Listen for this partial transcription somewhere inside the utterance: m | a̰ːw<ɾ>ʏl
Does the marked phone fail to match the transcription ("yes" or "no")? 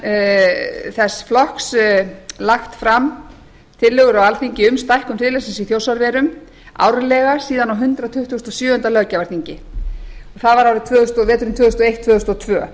no